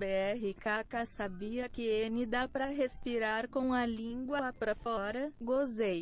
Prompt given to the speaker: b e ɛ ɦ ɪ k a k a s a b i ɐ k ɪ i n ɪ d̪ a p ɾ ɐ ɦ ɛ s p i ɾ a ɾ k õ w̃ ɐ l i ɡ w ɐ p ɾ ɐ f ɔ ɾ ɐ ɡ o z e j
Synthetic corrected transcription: b e ɛ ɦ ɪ k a k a s a b i ɐ k ɪ e n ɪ d̪ a p ɾ ɐ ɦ e s p i ɾ a ɾ k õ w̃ ɐ l ĩ ɡ w ɐ p ɾ ɐ f ɔ ɾ ɐ ɡ o z e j

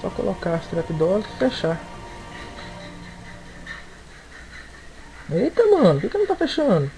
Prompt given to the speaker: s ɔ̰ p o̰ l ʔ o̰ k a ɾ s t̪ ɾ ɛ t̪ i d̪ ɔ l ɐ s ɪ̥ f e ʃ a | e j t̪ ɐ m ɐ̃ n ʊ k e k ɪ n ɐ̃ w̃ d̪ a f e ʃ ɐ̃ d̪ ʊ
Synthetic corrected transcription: s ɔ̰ k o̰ l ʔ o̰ k a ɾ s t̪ ɾ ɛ t̪ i d̪ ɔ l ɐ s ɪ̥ f e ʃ a | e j t̪ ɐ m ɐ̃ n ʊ k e k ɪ n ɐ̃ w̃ t̪ a f e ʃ ɐ̃ d̪ ʊ

